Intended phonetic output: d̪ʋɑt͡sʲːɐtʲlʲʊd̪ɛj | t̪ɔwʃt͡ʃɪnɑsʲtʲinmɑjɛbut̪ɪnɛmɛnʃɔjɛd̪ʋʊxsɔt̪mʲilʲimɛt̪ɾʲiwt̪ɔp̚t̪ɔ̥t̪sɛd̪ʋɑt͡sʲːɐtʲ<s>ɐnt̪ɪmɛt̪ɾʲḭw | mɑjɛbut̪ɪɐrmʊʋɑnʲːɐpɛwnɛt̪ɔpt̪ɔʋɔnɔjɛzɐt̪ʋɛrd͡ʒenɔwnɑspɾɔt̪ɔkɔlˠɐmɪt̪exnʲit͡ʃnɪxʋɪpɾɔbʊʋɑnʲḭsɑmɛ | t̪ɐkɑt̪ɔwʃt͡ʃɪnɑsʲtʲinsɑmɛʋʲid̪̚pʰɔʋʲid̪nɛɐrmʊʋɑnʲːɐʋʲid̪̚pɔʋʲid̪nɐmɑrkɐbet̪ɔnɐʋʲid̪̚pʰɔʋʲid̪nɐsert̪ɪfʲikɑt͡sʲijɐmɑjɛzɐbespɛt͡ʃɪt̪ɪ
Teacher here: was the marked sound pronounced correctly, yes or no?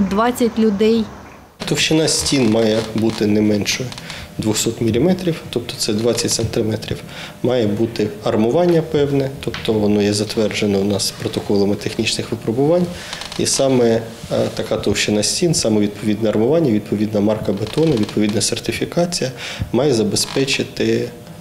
yes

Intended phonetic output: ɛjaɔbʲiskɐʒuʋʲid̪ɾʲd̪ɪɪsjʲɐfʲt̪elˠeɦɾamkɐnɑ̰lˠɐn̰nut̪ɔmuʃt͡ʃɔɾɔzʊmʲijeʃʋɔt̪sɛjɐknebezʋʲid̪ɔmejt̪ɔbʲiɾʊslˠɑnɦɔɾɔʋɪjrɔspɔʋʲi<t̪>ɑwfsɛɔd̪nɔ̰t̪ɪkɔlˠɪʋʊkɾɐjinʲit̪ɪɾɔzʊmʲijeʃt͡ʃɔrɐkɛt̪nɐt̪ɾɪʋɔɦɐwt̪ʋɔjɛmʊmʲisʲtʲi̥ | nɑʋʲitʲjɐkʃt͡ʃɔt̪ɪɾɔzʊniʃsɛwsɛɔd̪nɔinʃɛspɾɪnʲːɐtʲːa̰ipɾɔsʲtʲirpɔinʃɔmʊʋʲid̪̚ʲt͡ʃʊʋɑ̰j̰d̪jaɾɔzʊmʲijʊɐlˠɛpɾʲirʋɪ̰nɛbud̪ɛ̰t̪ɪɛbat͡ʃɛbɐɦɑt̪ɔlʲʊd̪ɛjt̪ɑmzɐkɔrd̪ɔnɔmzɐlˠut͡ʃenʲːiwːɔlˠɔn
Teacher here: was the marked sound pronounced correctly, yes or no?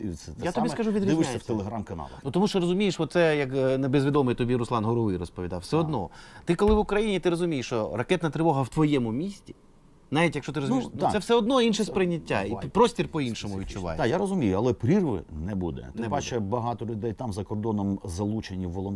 no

